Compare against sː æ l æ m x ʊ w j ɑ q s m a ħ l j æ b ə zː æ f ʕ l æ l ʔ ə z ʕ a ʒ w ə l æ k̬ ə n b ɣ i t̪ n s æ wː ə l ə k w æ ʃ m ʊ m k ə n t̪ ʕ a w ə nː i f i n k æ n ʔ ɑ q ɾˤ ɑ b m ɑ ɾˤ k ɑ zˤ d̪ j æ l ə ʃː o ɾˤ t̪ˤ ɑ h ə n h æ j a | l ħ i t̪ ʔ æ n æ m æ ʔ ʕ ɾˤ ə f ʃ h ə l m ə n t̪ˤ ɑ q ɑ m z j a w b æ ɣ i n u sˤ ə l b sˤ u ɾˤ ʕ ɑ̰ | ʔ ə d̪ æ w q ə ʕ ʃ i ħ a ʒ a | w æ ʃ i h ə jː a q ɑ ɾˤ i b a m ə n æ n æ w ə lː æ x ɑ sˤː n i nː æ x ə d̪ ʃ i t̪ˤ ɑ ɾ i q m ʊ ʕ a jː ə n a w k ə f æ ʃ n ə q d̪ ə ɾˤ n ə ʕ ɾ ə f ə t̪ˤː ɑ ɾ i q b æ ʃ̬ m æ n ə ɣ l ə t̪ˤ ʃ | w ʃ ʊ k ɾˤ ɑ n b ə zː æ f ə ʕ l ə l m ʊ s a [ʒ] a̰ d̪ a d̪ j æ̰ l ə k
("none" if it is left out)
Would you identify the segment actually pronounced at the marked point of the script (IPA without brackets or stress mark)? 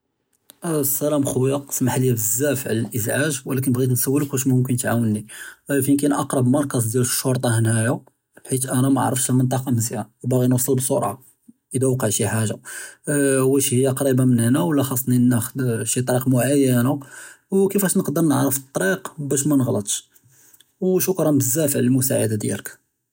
ʕ